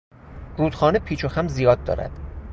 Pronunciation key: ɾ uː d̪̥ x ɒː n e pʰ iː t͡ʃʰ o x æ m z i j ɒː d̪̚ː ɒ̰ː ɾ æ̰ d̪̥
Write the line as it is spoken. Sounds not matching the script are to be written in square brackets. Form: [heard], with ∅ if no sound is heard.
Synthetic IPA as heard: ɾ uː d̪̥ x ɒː n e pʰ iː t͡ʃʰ o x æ m z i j ɒː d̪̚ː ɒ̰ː ɾ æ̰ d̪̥